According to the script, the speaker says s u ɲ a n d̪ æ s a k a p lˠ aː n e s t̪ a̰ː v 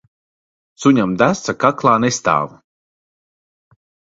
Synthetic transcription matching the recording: s u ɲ a m d̪ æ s a k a k lˠ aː n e s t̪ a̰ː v